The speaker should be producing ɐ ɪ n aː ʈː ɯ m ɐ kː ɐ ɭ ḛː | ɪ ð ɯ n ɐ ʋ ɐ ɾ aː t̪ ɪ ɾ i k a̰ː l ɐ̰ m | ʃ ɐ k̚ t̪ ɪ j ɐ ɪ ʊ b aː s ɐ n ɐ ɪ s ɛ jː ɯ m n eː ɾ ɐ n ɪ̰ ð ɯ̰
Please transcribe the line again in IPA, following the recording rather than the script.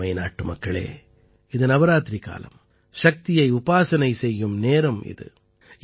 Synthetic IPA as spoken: ɐ ɪ n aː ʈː ɯ m ɐ kː ɐ ɭ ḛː | ɪ ð ɯ n ɐ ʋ ɐ ɾ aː t̪ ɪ ɾ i k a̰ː l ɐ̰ m | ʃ ɐ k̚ t̪ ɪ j ɐ ɪ ʊ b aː s ɐ n ɐ ɪ s ɛ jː ɯ m n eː ɾ ɐ m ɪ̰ ð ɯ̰